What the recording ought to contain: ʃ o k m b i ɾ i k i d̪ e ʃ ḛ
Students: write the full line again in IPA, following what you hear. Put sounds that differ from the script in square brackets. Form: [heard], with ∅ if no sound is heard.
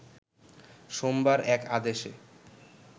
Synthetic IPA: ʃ o [∅] m b [a] ɾ [ɛ] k [a] d̪ e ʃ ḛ